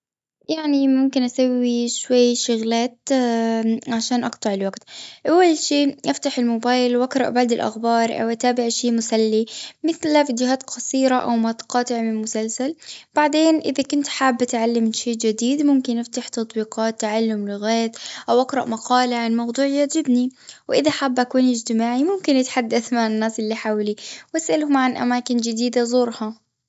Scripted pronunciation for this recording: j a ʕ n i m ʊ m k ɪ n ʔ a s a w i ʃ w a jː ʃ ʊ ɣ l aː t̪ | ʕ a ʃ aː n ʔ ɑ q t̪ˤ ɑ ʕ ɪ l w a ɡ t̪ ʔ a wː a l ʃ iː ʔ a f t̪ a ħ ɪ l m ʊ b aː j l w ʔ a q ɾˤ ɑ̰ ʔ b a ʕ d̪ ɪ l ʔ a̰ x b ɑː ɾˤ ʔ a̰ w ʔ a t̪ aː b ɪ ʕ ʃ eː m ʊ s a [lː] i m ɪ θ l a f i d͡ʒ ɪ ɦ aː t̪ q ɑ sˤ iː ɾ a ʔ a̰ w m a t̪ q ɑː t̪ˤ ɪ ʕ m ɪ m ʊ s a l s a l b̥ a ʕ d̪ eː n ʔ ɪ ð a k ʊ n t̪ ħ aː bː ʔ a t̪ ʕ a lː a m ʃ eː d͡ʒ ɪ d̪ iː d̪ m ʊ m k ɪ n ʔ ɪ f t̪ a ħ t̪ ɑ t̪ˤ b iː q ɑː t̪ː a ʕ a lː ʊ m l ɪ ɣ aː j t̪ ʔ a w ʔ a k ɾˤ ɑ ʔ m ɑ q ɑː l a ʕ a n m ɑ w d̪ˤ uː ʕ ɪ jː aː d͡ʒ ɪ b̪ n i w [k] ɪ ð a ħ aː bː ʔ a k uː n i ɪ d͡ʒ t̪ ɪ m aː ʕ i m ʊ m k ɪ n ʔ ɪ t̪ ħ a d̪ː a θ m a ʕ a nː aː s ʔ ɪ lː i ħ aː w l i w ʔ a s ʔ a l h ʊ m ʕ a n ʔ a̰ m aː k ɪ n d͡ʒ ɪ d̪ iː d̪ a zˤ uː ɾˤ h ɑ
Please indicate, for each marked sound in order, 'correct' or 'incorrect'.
correct, incorrect: ʔ

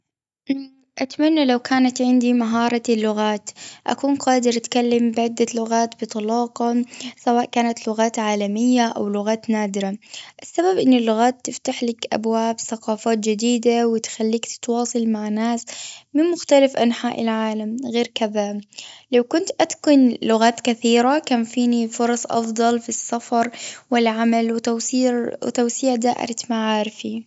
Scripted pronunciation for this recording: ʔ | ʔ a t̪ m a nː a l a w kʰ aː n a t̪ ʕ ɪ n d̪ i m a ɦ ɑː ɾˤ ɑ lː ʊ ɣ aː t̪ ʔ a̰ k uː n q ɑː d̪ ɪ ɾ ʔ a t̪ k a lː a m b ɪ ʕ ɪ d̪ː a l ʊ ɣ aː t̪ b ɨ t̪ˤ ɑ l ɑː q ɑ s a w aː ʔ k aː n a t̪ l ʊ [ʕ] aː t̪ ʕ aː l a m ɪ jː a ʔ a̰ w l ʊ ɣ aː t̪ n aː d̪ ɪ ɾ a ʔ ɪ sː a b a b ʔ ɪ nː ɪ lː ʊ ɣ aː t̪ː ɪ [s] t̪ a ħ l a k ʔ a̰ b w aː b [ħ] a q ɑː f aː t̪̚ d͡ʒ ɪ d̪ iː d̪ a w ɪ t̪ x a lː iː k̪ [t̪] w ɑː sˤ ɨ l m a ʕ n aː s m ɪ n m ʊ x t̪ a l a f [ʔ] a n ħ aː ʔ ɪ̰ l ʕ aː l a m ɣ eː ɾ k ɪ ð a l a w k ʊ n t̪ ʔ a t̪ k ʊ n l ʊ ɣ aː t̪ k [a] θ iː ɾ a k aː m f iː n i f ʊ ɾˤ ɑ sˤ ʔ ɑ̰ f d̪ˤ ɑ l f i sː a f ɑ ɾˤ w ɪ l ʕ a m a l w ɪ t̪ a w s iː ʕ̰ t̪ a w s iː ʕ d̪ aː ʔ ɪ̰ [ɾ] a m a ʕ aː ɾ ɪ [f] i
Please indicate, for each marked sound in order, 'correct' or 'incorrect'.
incorrect: ɣ, incorrect: f, incorrect: θ, correct, correct, correct, correct, correct

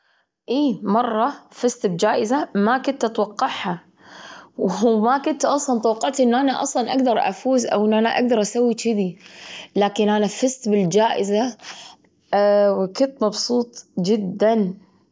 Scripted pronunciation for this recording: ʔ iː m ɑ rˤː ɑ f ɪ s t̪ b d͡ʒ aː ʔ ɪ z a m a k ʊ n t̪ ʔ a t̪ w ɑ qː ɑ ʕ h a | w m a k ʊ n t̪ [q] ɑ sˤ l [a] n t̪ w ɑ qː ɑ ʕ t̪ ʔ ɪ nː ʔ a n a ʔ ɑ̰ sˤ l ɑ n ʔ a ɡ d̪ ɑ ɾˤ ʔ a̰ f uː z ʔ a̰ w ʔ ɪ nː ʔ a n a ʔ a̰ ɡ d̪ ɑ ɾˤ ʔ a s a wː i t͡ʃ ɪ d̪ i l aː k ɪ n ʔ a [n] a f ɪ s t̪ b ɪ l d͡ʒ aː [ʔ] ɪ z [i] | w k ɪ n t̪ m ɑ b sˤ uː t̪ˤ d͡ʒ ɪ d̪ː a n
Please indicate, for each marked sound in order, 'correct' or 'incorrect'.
incorrect: ʔ, incorrect: ɑ, correct, correct, incorrect: a

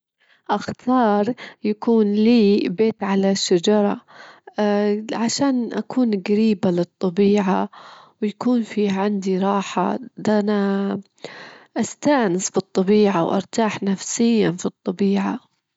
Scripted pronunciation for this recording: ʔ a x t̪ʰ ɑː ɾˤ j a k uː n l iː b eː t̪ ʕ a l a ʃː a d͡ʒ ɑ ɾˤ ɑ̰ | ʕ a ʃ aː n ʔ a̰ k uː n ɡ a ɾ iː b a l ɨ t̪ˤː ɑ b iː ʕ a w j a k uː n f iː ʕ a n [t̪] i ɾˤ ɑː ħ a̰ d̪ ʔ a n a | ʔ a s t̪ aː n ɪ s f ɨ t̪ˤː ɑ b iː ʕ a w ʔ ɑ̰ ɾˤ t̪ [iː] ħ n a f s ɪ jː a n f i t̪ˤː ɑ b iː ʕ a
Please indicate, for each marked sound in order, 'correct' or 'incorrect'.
incorrect: d̪, incorrect: aː

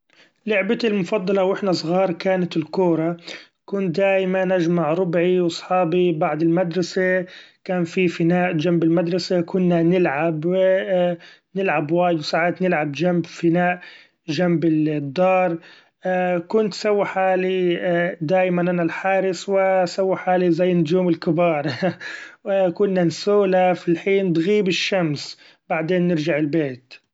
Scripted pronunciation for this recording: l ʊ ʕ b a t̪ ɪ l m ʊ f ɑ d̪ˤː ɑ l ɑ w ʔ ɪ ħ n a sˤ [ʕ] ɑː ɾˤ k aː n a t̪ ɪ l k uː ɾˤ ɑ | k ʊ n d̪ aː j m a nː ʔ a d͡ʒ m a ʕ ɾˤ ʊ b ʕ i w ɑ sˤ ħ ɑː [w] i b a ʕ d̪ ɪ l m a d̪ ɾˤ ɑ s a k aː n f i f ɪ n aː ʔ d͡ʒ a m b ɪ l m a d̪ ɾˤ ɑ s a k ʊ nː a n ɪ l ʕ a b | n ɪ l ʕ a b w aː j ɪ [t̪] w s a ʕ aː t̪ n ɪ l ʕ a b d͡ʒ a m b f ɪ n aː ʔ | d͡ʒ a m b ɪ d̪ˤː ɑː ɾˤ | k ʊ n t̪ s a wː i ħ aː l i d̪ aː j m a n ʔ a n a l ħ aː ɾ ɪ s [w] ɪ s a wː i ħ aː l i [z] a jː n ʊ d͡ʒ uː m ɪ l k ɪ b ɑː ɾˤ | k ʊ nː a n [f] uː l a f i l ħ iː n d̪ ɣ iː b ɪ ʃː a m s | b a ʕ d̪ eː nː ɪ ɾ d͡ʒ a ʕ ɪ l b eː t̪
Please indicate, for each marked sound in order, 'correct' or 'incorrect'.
incorrect: ɣ, incorrect: b, incorrect: d̪, correct, correct, incorrect: s

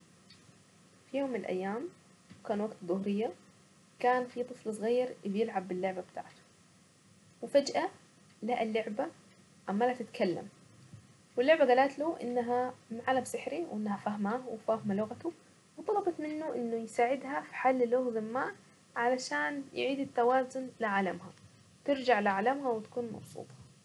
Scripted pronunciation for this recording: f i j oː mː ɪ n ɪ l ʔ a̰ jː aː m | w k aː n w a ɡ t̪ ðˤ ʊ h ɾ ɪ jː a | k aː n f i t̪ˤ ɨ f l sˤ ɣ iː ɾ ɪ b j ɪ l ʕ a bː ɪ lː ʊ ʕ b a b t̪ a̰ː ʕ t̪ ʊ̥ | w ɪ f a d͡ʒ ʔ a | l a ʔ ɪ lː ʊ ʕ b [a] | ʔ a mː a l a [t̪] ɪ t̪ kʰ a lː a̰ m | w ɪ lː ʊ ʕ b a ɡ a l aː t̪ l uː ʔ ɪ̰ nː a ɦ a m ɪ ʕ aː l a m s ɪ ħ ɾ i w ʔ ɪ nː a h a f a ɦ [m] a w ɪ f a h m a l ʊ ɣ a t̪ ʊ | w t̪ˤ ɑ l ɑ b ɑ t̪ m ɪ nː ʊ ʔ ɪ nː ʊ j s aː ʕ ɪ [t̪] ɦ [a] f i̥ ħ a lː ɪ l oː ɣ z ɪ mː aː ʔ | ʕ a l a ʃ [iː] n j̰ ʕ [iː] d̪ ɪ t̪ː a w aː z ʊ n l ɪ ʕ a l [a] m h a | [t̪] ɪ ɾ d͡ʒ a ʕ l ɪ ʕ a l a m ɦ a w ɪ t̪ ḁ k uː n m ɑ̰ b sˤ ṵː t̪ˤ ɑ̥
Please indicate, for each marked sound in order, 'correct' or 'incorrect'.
correct, correct, correct, incorrect: d̪, correct, incorrect: aː, correct, correct, correct

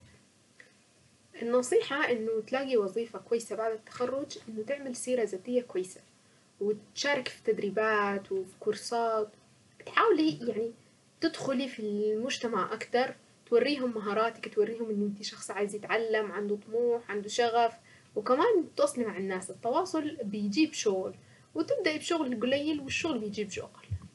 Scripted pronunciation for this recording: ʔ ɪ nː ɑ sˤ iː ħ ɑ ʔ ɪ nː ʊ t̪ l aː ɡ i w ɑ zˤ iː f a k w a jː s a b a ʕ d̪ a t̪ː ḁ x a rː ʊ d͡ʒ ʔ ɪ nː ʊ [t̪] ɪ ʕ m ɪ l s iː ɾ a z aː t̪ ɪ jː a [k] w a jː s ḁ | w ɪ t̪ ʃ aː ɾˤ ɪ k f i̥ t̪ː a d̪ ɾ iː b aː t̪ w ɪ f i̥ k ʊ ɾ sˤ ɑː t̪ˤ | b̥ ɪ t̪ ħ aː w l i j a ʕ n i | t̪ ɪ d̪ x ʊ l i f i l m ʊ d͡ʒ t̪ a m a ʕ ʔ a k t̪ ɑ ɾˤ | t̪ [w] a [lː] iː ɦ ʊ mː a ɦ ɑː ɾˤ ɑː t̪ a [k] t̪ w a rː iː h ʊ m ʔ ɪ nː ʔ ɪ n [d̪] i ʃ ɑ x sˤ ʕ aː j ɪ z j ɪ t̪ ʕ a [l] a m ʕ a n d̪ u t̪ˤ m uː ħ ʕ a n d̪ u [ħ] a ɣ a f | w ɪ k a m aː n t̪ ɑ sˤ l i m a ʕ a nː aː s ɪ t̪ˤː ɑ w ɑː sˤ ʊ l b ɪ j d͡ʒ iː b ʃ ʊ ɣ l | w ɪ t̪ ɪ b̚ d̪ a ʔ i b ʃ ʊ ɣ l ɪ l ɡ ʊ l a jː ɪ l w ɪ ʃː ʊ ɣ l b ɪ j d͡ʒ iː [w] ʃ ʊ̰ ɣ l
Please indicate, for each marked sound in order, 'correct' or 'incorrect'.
correct, correct, correct, incorrect: rː, correct, incorrect: t̪, incorrect: lː, incorrect: ʃ, incorrect: b

